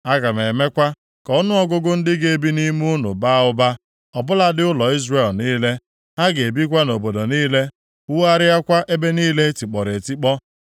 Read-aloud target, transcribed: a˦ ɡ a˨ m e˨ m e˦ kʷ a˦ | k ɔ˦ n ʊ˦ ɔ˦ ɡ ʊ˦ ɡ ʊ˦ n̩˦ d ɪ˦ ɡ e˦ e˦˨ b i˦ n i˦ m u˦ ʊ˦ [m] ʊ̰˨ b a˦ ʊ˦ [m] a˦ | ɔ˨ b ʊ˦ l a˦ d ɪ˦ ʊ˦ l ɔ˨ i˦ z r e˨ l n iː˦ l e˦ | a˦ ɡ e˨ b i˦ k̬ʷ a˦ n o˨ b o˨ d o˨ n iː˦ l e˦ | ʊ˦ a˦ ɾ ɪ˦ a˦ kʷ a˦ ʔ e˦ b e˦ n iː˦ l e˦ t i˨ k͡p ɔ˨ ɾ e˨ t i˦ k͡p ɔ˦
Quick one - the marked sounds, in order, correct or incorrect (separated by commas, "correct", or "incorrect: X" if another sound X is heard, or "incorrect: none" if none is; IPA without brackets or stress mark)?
incorrect: n, incorrect: b